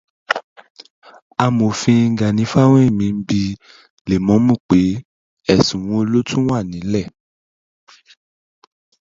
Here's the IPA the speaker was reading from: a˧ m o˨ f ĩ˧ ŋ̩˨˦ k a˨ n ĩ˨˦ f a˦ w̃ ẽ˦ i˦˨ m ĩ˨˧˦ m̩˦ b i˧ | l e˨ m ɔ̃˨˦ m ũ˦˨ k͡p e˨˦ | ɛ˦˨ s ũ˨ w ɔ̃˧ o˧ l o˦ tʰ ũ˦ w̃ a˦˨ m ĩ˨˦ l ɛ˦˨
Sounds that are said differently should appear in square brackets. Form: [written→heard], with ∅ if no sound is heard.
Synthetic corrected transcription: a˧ m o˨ f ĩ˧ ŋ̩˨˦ [k→ɡ] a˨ n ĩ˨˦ f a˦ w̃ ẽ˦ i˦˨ m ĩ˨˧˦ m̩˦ b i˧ | l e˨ m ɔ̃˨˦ m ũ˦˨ k͡p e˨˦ | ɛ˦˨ s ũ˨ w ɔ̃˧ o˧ l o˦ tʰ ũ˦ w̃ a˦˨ [m→n] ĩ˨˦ l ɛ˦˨